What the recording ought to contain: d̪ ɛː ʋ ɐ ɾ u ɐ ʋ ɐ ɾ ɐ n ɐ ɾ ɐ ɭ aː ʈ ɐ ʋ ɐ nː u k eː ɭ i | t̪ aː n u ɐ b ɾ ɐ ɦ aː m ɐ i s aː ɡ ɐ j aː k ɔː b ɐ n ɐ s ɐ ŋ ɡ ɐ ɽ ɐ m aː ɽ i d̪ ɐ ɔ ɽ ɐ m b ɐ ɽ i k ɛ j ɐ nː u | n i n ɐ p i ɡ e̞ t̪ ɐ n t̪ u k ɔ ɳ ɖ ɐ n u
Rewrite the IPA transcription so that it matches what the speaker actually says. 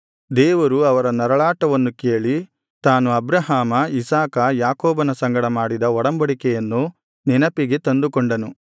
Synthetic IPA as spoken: d̪ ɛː ʋ ɐ ɾ u ɐ ʋ ɐ ɾ ɐ n ɐ ɾ ɐ ɭ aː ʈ ɐ ʋ ɐ nː u k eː ɭ i | t̪ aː n u ɐ b ɾ ɐ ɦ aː m ɐ i s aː k ɐ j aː k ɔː b ɐ n ɐ s ɐ ŋ ɡ ɐ ɽ ɐ m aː ɽ i d̪ ɐ ɔ ɽ ɐ m b ɐ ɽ i k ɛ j ɐ nː u | n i n ɐ p i ɡ e̞ t̪ ɐ n d̪ u k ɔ ɳ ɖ ɐ n u